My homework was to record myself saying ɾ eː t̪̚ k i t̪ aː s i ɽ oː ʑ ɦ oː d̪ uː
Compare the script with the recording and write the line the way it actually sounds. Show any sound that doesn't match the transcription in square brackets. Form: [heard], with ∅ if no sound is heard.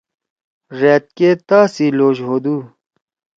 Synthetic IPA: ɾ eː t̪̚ k [e] t̪ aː s i [l] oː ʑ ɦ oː d̪ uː